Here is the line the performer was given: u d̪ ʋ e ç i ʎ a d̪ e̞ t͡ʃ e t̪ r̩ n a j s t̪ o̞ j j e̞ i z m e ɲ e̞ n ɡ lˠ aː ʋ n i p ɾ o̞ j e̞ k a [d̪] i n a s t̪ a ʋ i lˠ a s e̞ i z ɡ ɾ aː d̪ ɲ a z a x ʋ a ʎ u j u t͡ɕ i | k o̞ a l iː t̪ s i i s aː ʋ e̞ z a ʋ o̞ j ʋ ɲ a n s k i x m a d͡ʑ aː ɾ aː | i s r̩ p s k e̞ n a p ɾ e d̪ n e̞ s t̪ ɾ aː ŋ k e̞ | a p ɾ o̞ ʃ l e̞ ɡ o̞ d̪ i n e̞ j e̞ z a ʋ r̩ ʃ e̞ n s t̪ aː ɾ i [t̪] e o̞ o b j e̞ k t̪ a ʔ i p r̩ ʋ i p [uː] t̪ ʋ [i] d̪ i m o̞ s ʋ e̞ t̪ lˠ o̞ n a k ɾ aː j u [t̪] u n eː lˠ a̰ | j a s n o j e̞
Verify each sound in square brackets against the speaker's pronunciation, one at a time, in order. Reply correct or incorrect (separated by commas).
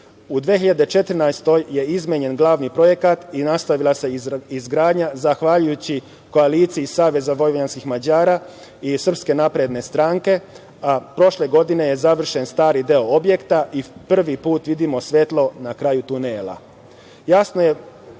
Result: incorrect, incorrect, correct, correct, correct